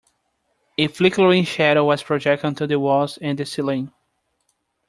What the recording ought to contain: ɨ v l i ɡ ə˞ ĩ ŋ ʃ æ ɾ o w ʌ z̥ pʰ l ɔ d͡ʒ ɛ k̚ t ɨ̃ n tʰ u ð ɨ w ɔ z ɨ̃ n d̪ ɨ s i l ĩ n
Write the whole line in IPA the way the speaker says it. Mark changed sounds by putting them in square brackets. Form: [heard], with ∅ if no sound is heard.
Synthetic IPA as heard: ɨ [f] l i [k] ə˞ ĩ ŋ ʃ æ ɾ o w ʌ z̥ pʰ [ɹ] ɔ d͡ʒ ɛ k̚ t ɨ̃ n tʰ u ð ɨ w ɔ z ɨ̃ n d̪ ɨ s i l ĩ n